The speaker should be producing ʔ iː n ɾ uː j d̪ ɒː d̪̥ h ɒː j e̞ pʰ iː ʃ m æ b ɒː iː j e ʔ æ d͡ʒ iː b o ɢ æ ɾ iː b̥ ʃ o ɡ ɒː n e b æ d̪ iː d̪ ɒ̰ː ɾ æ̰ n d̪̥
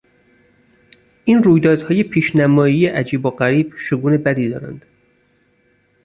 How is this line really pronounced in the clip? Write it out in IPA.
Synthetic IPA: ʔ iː n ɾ uː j d̪ ɒː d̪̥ h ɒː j e̞ pʰ iː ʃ n æ m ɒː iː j e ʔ æ d͡ʒ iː b o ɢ æ ɾ iː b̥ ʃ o ɡ uː n e b æ d̪ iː d̪ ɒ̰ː ɾ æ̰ n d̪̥